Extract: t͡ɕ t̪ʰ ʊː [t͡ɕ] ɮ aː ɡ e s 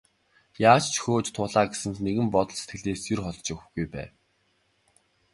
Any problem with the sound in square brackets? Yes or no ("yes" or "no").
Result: yes